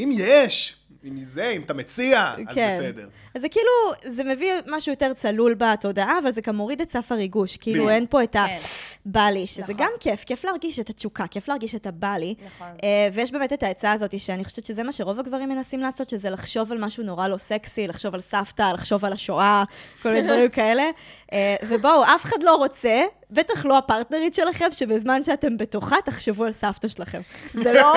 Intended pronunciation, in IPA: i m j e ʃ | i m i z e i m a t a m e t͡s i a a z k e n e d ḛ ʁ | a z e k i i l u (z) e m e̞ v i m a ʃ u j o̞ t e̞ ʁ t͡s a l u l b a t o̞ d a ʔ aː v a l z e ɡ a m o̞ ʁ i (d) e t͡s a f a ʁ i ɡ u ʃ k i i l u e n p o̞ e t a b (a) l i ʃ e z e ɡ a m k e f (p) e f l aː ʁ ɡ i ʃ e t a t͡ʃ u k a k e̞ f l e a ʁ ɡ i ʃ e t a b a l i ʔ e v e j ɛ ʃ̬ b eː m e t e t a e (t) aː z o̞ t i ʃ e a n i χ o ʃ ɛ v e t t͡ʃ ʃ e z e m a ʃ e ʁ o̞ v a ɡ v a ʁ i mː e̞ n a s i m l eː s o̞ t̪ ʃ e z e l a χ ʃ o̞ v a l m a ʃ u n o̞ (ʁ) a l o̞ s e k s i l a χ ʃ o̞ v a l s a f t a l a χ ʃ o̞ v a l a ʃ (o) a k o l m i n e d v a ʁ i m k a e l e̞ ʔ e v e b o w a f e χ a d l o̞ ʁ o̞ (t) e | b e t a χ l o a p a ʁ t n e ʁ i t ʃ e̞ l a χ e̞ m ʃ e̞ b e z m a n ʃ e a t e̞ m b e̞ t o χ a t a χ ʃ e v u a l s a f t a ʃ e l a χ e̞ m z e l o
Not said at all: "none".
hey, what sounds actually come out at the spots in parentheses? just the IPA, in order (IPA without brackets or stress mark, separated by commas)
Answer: z, d, a, k, t͡s, ʁ, o, t͡s